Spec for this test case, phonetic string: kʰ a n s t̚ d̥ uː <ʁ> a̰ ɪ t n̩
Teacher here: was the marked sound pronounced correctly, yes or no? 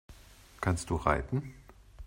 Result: yes